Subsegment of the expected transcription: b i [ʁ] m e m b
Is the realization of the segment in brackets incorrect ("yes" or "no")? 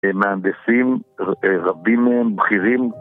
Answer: yes